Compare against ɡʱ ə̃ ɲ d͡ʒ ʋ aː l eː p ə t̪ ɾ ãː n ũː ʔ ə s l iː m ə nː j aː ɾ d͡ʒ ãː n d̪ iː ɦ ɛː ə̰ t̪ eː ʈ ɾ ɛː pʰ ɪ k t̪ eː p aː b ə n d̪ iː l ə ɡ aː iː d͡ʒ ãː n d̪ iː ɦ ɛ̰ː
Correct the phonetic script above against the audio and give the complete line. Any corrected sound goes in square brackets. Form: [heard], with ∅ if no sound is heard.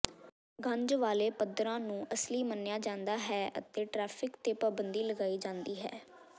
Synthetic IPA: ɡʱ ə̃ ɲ d͡ʒ ʋ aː l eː p ə [d̪] ɾ ãː n ũː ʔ ə s l iː m ə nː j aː [∅] d͡ʒ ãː n d̪ [aː] ɦ ɛː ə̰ t̪ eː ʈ ɾ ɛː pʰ ɪ k t̪ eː p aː b ə n d̪ iː l ə ɡ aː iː d͡ʒ ãː n d̪ iː ɦ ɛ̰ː